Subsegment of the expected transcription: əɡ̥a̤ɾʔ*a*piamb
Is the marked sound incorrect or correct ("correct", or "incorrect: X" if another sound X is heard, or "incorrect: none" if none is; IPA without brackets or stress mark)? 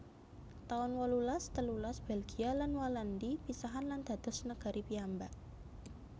incorrect: i